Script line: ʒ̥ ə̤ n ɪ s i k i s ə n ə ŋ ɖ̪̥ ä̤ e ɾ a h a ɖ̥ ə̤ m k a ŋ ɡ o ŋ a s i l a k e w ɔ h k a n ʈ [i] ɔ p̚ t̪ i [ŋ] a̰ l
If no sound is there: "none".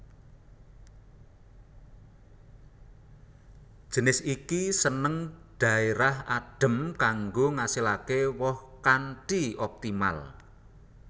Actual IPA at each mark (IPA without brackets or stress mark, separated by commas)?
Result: i, m